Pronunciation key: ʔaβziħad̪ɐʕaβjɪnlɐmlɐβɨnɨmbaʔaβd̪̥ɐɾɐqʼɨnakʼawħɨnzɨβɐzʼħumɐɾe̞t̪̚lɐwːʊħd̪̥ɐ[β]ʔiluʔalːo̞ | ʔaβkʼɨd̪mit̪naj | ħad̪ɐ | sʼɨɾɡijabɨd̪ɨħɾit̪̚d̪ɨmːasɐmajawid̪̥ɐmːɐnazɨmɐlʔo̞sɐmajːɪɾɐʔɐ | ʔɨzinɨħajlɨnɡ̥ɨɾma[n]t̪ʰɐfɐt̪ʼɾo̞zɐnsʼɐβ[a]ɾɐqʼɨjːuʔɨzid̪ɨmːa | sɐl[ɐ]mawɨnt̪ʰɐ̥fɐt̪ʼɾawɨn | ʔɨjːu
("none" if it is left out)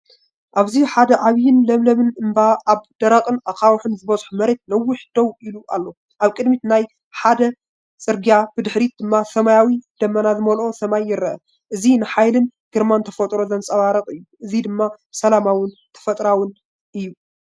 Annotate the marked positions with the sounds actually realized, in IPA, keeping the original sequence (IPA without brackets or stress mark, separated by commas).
w, n, a, a